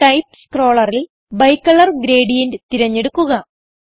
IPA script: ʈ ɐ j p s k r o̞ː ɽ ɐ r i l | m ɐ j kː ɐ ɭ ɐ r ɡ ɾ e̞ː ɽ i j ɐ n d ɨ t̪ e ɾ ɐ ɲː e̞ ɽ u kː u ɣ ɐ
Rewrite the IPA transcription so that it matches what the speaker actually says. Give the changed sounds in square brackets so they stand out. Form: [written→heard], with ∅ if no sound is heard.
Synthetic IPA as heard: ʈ ɐ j p s k r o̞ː [ɽ→ɭ] ɐ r i l | [m→b] ɐ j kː ɐ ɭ ɐ r ɡ ɾ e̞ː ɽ i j ɐ n d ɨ t̪ [e→i] ɾ ɐ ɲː e̞ ɽ u kː u ɣ ɐ